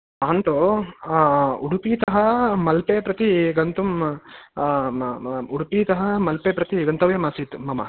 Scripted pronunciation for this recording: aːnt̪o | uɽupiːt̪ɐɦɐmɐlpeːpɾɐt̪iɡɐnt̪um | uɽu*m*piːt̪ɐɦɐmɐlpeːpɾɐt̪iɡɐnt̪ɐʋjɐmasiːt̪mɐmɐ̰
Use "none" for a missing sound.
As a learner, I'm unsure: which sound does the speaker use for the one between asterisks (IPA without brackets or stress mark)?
none